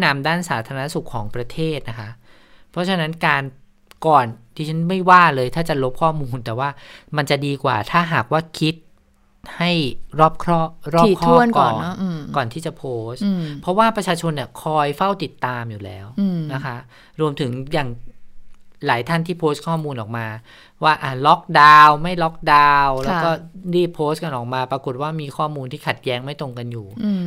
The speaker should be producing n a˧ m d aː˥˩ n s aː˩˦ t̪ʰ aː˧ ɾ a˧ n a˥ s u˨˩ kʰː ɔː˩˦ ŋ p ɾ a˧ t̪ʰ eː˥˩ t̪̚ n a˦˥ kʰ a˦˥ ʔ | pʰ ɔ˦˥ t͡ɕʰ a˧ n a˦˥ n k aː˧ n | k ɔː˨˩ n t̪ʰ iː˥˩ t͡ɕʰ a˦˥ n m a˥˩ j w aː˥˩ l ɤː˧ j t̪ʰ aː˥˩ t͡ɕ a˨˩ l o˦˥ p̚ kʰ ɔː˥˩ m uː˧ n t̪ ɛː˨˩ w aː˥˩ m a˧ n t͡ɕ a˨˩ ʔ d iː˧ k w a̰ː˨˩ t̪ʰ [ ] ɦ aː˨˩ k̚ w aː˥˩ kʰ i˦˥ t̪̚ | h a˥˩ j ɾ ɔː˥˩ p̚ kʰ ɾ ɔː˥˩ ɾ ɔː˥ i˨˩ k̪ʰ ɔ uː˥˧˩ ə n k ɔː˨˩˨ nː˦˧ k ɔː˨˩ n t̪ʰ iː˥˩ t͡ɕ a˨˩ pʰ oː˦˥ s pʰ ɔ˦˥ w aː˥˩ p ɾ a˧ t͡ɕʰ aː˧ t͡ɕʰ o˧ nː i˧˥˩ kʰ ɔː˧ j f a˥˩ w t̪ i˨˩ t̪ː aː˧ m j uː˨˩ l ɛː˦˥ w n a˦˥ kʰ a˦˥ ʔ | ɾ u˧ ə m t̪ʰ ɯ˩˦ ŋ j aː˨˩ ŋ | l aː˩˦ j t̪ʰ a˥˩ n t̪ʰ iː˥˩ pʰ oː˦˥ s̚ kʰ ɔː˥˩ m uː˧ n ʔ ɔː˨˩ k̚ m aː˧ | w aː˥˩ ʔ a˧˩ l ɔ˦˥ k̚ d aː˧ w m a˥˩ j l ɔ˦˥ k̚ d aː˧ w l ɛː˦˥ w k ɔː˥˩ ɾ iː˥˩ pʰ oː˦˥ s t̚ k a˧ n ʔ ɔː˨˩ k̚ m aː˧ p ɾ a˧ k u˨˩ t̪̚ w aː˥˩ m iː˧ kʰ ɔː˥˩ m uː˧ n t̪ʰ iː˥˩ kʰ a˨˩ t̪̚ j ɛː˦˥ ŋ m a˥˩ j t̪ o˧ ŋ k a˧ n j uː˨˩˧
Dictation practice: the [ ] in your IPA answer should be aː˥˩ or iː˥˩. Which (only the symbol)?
aː˥˩